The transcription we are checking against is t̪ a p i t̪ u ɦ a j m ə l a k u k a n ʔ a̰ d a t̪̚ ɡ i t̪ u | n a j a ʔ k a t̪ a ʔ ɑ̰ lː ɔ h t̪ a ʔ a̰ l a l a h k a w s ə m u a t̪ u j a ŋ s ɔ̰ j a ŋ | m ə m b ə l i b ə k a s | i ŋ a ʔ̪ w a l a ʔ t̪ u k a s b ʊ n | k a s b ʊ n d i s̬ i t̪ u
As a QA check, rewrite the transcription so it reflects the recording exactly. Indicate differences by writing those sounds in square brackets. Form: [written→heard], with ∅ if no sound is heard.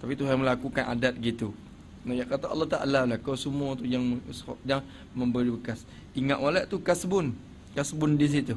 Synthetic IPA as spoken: t̪ a p i t̪ u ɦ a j m ə l a k u k a n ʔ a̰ d a t̪̚ ɡ i t̪ u | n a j a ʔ k a t̪ a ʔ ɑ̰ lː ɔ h t̪ a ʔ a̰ l a l a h k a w s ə m u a t̪ u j a ŋ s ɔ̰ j a ŋ | m ə m b ə [l→ɾ] i b ə k a s | i ŋ a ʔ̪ w a l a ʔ t̪ u k a s b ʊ n | k a s b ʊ n d i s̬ i t̪ u